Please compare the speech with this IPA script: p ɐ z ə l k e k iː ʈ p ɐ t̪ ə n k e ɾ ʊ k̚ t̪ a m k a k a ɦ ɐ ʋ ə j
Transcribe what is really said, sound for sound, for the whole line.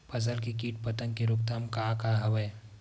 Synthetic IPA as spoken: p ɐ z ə l k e k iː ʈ p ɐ t̪ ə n k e ɾ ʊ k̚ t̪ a m k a k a ɦ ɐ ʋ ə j